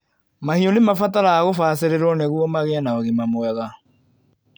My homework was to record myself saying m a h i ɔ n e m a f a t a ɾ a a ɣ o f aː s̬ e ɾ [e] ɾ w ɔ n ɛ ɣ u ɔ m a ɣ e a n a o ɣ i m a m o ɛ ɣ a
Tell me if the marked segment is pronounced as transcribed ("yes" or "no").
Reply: yes